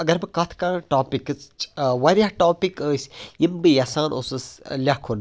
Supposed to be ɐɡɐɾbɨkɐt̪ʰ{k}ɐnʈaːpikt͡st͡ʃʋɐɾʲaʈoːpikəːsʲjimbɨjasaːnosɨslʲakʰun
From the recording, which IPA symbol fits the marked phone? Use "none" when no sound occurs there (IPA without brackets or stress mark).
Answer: k